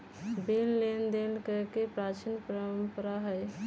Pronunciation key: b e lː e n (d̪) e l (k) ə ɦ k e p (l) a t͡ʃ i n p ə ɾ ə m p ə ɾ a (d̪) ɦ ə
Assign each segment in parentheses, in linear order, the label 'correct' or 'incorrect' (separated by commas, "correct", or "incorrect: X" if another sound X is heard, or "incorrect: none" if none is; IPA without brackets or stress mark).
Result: correct, correct, incorrect: ɾ, incorrect: none